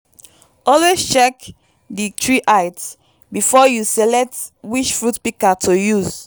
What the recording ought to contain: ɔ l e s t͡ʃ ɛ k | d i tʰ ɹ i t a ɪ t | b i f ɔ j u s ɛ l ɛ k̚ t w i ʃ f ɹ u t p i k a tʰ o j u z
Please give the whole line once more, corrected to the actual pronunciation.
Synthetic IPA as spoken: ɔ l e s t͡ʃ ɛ k | d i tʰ ɹ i ʔ a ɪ t | b i f ɔ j u s ɛ l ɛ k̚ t w i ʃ f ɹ u t p i k a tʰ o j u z